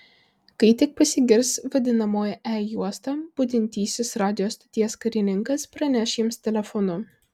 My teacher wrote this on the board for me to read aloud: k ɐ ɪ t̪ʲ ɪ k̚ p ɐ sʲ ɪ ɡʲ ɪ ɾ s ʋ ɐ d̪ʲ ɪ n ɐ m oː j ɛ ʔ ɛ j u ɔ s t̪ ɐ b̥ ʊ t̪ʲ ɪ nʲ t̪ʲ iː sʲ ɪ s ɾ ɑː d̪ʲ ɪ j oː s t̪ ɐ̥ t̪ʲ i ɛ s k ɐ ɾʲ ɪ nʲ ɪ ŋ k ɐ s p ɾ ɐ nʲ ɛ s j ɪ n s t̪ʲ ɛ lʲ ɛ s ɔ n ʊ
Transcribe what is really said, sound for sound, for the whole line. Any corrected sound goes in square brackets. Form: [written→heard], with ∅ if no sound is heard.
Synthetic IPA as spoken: k ɐ ɪ t̪ʲ ɪ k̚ p ɐ sʲ ɪ ɡʲ ɪ ɾ s ʋ ɐ d̪ʲ ɪ n ɐ m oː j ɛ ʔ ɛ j u ɔ s t̪ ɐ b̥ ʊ [t̪ʲ→d̪ʲ] ɪ nʲ t̪ʲ iː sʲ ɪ s ɾ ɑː d̪ʲ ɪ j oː s t̪ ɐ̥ t̪ʲ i ɛ s k ɐ ɾʲ ɪ nʲ ɪ ŋ k ɐ s p ɾ ɐ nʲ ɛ [s→ʃ] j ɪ [n→m] s t̪ʲ ɛ lʲ ɛ [s→f] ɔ n ʊ